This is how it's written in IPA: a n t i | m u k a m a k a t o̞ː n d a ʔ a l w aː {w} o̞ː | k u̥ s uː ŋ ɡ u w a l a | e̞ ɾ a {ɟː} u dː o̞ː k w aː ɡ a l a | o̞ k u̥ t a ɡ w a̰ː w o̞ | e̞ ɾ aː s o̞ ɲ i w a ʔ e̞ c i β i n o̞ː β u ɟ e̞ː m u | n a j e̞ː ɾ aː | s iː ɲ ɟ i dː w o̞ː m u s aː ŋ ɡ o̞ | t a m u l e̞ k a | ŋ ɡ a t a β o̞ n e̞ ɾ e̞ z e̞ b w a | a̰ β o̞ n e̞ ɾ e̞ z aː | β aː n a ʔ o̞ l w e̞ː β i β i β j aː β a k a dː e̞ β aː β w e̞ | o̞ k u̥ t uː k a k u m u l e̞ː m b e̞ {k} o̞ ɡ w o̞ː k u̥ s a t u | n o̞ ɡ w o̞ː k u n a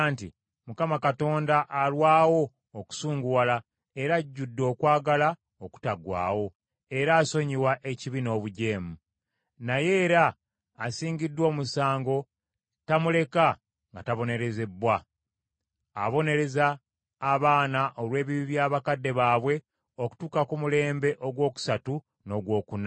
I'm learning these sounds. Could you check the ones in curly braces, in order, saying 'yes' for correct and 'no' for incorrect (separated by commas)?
yes, yes, no